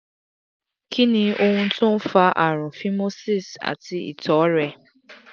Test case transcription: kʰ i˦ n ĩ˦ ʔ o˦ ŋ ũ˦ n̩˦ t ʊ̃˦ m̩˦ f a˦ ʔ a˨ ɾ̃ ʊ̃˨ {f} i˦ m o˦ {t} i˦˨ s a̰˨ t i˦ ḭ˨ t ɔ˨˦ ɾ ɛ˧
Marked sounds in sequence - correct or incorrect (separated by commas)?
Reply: correct, incorrect